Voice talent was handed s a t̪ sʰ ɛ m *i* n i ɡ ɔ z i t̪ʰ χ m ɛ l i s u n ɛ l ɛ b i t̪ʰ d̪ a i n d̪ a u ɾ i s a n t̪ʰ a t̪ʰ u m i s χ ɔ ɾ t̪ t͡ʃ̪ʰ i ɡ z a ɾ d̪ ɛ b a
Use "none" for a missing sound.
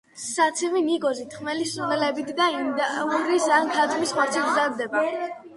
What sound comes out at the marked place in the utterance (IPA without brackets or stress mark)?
i